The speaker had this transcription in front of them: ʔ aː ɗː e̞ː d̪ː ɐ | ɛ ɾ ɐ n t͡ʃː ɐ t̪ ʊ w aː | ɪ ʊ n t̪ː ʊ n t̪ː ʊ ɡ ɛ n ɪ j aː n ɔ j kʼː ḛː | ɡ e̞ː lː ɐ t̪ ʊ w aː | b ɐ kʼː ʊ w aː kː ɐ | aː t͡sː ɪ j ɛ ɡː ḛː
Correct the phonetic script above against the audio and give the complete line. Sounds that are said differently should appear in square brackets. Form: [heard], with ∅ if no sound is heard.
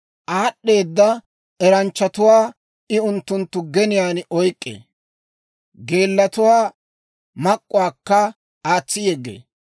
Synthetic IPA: ʔ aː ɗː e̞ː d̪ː ɐ | ɛ ɾ ɐ n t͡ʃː ɐ t̪ ʊ w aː | ɪ ʊ n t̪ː ʊ n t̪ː ʊ ɡ ɛ n ɪ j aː n ɔ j kʼː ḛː | ɡ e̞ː lː ɐ t̪ ʊ w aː | [m] ɐ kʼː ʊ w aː kː ɐ | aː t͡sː ɪ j ɛ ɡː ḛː